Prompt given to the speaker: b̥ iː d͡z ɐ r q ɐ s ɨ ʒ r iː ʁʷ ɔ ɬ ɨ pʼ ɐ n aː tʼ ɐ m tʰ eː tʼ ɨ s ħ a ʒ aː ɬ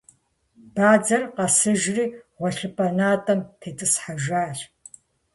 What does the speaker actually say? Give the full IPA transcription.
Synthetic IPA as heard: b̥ aː d͡z ɐ r q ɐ s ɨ ʒ r iː ʁʷ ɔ ɬ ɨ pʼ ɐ n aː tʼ ɐ m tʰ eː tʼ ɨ s ħ a ʒ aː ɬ